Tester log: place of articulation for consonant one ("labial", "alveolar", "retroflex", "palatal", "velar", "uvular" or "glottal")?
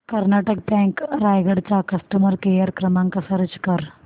velar